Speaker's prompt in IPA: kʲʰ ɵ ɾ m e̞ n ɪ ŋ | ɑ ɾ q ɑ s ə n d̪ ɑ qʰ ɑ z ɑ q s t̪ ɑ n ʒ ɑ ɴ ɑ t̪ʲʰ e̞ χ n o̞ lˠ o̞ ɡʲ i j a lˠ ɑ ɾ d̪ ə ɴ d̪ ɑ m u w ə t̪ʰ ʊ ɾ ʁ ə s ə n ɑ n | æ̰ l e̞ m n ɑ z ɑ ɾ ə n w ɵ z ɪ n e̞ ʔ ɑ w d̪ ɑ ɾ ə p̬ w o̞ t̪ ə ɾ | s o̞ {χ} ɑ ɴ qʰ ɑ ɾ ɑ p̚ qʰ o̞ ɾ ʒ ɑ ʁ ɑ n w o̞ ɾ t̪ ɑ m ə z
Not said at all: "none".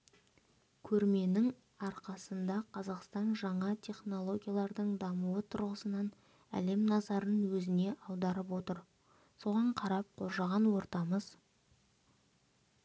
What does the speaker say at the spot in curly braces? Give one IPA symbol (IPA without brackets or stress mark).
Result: ʁ